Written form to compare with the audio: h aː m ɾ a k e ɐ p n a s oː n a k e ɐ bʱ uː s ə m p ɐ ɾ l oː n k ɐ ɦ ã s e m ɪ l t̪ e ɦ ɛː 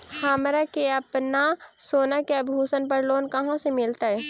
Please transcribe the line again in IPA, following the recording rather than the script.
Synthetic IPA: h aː m ɾ a k e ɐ p n a s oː n a k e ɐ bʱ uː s ə n p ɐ ɾ l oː n k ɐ ɦ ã s e m ɪ l t̪ a ɦ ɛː